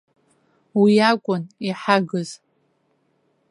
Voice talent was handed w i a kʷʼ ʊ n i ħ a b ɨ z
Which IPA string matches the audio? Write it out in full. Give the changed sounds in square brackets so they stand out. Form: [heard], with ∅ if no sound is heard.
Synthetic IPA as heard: w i a kʷʼ ʊ n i ħ a [ɡ] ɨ z